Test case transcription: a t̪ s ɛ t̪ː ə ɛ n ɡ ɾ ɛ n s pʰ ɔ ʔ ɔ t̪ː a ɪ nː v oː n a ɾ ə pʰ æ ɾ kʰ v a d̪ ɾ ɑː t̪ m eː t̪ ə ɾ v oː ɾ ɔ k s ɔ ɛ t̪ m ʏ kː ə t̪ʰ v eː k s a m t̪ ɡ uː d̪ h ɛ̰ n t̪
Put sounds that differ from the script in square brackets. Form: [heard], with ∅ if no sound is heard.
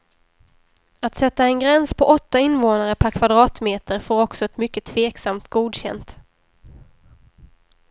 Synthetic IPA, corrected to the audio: a t̪ s ɛ t̪ː [a] ɛ n ɡ ɾ ɛ n s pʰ ɔ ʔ ɔ t̪ː a ɪ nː v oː n a ɾ ə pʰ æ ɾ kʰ v a d̪ ɾ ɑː t̪ m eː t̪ ə ɾ [f] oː ɾ ɔ k s ɔ ɛ t̪ m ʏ kː ə t̪ʰ v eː k s a m t̪ ɡ uː d̪ [ɕ] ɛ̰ n t̪